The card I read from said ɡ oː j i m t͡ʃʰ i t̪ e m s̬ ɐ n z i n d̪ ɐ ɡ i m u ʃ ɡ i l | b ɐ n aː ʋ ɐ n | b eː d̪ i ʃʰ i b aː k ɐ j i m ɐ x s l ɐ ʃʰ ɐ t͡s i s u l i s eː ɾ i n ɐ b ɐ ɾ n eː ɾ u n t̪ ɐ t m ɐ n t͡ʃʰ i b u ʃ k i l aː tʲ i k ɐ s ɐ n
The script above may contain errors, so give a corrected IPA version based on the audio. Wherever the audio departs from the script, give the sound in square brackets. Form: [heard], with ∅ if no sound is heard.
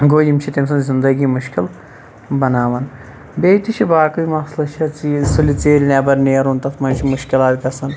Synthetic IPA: ɡ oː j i m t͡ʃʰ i t̪ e m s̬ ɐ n z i n d̪ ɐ ɡ i m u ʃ [k] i l | b ɐ n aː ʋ ɐ n | b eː [t̪] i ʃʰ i b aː k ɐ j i m ɐ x s l ɐ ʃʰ ɐ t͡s i s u l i [t͡s] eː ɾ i n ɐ b ɐ ɾ n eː ɾ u n t̪ ɐ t m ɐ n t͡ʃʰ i [m] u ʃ k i l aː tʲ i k ɐ s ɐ n

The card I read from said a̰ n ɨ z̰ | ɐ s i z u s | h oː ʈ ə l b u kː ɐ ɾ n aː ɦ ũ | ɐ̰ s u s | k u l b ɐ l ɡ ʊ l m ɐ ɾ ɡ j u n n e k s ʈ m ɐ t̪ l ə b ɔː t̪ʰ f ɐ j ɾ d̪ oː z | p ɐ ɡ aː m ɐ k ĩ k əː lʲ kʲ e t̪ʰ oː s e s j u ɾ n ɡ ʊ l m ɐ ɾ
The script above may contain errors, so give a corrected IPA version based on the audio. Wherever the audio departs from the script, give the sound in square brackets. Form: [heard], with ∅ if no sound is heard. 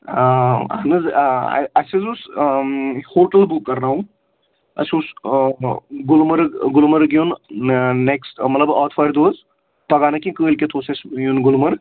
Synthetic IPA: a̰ n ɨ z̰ | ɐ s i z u s | h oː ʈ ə l b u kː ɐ ɾ n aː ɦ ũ | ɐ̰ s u s | [ɡ] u l [m] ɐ [ɾ] ɡ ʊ l m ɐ ɾ ɡ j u n n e k s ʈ m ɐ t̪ l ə b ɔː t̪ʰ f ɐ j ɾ d̪ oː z | p ɐ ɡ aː [n] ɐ k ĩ k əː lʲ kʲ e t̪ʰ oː s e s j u [∅] n ɡ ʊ l m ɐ ɾ

